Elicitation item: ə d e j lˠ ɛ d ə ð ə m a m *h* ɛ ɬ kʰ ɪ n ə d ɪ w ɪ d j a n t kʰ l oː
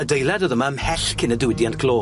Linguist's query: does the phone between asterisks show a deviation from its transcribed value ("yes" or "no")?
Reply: no